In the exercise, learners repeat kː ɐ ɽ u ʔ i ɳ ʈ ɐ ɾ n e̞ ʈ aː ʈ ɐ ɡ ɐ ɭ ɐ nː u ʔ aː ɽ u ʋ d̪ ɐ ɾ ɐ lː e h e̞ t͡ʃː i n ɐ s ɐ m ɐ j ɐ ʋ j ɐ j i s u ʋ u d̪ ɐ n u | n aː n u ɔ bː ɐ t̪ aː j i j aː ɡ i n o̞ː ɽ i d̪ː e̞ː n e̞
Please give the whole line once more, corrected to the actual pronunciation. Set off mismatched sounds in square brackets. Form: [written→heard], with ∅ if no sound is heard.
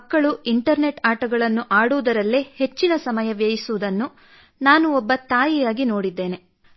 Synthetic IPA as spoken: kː ɐ [ɽ→ɭ] u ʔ i ɳ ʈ ɐ ɾ n e̞ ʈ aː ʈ ɐ ɡ ɐ ɭ ɐ nː u ʔ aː ɽ u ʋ d̪ ɐ ɾ ɐ lː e h e̞ t͡ʃː i n ɐ s ɐ m ɐ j ɐ ʋ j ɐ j i s u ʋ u d̪ ɐ [n→nː] u | n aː n u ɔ bː ɐ t̪ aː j i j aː ɡ i n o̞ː ɽ i d̪ː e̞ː n e̞